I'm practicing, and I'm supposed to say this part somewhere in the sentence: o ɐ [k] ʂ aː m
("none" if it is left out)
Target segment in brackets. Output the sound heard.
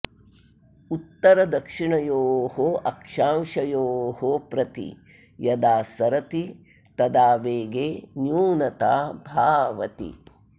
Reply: k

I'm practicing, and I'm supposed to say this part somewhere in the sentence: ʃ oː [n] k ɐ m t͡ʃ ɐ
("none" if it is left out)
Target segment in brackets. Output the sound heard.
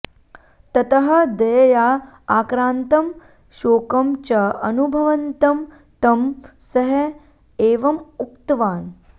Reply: none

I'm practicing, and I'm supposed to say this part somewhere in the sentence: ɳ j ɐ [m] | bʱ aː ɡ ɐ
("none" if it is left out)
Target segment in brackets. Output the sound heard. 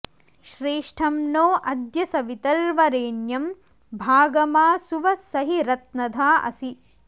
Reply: m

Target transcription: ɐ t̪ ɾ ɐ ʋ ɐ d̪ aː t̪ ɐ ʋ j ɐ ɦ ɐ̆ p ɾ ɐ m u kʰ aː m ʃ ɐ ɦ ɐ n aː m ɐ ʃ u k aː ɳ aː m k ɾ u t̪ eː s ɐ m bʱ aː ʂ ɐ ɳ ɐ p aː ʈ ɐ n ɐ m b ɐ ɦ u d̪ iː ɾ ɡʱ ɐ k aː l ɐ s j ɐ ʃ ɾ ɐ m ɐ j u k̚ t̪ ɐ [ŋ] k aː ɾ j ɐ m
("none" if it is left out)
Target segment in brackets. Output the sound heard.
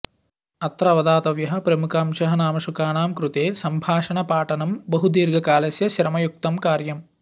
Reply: m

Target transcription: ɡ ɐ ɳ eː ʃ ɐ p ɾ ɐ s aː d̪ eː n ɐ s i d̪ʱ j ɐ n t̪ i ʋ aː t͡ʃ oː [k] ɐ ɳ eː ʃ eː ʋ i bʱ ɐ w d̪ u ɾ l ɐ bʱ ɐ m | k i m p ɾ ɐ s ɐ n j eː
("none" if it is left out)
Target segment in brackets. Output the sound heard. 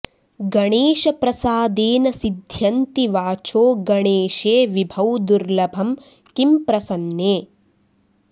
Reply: ɡ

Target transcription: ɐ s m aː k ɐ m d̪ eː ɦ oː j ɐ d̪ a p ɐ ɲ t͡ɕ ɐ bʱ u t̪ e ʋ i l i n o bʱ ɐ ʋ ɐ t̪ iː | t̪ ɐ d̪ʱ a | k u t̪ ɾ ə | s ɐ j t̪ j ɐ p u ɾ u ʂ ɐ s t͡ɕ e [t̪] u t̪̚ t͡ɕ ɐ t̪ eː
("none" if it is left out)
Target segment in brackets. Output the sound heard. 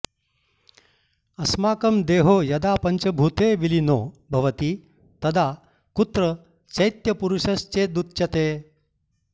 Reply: d̪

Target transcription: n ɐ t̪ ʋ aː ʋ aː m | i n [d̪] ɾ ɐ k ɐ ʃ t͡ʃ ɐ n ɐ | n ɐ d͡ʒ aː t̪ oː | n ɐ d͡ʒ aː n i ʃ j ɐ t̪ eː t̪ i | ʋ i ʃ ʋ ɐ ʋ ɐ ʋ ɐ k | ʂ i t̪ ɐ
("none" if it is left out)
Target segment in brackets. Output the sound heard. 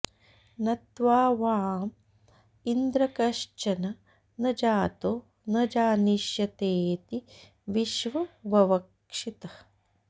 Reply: d̪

